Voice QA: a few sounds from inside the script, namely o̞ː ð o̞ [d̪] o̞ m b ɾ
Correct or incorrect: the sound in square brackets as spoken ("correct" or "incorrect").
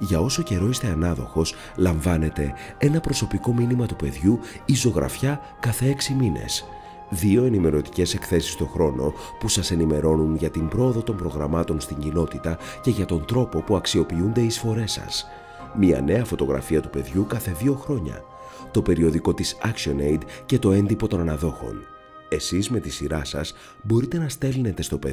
incorrect